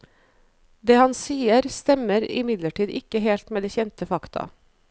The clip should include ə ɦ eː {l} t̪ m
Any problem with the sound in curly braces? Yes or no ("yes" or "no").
no